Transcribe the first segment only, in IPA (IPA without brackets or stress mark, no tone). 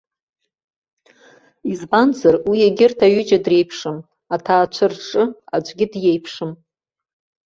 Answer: i